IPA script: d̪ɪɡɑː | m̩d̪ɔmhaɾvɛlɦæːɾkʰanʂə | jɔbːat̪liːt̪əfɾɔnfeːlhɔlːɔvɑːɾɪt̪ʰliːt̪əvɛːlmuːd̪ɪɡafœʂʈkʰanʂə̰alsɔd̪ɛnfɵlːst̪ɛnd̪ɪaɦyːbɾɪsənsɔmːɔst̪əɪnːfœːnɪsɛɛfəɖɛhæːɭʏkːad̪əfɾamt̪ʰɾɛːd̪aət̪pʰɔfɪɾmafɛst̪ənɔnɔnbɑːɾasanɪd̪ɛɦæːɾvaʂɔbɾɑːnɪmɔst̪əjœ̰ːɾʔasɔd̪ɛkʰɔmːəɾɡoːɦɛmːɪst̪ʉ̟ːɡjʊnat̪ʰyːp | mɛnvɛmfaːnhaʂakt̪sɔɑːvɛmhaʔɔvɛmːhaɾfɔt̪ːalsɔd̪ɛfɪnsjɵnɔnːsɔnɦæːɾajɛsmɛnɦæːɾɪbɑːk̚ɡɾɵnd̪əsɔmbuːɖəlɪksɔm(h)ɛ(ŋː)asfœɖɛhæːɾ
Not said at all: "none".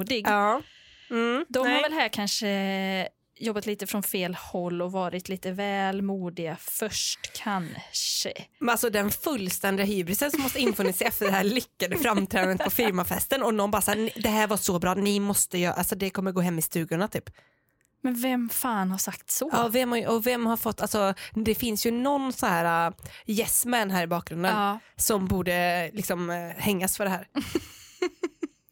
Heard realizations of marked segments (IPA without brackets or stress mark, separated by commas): h, ŋː